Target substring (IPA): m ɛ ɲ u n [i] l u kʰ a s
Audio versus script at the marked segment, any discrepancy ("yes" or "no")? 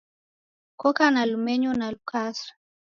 yes